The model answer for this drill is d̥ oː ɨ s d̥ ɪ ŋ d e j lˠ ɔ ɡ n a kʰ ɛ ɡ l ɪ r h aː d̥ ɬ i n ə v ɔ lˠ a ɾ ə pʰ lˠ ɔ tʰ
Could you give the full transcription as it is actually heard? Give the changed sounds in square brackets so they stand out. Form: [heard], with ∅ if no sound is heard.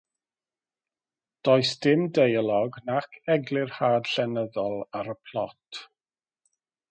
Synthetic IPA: d̥ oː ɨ s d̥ ɪ [m] d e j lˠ ɔ ɡ n a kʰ ɛ ɡ l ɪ r h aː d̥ ɬ [ɛ] n ə [ð] ɔ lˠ a ɾ ə pʰ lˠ ɔ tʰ